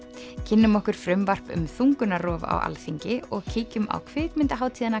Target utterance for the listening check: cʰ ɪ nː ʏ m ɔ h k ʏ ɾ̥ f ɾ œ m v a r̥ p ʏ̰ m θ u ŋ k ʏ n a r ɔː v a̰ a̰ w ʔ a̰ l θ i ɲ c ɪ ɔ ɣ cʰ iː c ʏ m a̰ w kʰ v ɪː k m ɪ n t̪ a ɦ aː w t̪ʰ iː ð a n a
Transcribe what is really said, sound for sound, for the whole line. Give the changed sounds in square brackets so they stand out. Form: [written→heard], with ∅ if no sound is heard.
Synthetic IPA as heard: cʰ ɪ nː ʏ m ɔ h k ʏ ɾ̥ f ɾ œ m v a r̥ p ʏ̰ m θ u ŋ k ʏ n a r ɔː v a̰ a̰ w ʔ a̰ l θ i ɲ c ɪ ɔ ɣ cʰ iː c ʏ m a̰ w kʰ v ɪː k m ɪ n t̪ a ɦ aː w t̪ʰ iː ð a n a